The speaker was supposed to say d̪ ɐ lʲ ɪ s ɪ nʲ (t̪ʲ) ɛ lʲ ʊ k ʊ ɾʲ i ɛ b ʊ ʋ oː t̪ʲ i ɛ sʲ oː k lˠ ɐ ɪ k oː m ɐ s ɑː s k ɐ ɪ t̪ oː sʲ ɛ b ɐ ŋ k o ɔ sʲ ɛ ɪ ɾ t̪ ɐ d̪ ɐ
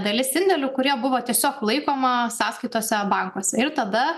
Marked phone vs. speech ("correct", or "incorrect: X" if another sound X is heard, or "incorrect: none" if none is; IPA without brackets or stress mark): incorrect: d̪ʲ